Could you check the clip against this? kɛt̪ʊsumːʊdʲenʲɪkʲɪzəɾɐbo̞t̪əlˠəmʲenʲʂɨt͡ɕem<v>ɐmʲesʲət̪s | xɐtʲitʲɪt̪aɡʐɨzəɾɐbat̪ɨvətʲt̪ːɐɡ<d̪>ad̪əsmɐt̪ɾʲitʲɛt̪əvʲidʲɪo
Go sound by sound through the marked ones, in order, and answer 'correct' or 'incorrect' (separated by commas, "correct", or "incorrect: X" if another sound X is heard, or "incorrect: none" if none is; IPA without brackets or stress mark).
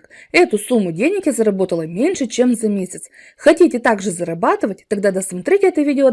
incorrect: z, correct